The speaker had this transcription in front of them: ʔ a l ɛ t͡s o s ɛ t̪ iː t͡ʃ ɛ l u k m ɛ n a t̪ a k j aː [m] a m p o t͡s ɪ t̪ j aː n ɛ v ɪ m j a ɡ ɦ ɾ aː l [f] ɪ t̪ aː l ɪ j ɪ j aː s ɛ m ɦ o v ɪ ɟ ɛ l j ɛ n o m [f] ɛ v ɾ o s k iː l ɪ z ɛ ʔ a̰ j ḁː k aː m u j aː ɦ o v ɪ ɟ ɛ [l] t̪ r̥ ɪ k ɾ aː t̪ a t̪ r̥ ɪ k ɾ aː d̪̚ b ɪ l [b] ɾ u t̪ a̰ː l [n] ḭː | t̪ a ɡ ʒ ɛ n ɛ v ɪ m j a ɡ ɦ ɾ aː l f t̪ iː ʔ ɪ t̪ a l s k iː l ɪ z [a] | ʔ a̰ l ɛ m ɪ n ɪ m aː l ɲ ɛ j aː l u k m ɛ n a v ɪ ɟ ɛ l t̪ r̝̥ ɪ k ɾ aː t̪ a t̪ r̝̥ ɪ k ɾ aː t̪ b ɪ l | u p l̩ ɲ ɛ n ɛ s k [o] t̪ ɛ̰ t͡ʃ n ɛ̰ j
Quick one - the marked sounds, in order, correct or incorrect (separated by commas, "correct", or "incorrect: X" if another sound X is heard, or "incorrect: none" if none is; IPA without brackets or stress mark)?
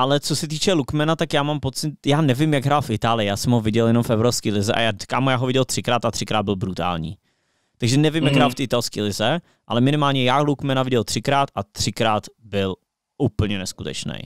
correct, correct, correct, correct, correct, incorrect: ɲ, incorrect: ɛ, incorrect: u